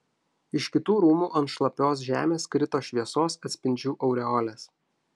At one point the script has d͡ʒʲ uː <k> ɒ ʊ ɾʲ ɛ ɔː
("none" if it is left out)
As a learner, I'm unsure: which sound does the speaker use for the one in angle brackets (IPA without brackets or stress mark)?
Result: ʔ